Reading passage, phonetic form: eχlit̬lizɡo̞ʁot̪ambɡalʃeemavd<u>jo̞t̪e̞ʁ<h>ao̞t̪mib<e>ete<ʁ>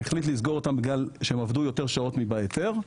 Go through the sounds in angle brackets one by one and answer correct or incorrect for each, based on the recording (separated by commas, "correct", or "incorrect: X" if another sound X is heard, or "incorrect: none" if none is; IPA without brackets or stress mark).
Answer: correct, incorrect: ʃ, incorrect: a, correct